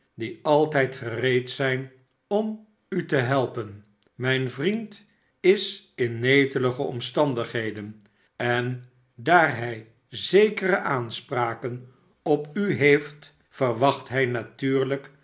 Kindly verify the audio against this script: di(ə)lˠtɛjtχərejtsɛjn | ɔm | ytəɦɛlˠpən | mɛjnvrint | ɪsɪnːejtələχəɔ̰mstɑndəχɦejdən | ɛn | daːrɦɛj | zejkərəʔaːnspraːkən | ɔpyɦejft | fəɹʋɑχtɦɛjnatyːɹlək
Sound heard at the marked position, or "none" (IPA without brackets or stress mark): ɑ